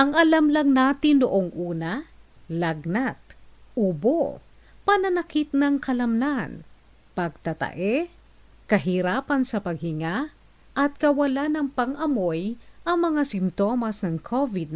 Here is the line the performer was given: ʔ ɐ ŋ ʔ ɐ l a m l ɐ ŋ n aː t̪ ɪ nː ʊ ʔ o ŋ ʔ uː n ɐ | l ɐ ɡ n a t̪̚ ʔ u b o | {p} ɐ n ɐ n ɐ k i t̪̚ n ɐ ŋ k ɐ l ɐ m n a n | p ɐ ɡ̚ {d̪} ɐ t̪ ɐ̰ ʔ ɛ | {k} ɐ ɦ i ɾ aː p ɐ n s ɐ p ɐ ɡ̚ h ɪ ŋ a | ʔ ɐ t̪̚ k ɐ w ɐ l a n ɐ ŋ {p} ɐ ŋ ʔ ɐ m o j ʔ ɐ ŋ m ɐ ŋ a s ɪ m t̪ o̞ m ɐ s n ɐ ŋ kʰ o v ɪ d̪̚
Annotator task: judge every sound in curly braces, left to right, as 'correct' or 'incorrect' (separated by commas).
correct, incorrect, correct, correct